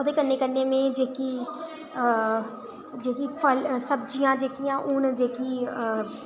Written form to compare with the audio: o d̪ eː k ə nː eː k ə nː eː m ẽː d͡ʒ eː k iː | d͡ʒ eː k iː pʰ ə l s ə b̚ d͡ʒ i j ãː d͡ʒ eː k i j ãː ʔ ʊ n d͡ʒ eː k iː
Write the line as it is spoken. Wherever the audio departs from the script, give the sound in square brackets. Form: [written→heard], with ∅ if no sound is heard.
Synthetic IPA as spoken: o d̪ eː k ə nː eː k ə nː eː m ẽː d͡ʒ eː k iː | d͡ʒ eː k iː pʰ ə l s ə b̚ d͡ʒ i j ãː d͡ʒ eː k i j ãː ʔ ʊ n d͡ʒ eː k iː